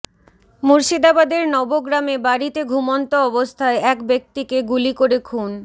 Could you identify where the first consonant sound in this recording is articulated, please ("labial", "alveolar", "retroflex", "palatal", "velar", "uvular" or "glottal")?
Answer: labial